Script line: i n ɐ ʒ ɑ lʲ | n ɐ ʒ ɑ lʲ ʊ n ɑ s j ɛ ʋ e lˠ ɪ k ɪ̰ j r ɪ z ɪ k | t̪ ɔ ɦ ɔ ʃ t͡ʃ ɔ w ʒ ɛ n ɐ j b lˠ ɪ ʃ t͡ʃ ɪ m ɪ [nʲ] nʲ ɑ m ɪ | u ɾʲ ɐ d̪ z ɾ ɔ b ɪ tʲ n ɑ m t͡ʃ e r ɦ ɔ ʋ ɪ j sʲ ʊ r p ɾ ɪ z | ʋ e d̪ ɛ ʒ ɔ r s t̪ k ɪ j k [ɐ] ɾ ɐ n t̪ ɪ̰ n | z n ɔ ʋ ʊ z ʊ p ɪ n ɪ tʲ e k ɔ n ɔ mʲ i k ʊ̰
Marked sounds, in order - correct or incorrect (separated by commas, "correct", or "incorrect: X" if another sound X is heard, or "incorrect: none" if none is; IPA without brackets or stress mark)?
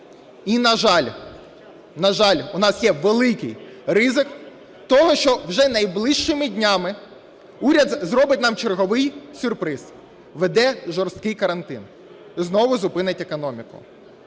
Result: incorrect: dʲ, correct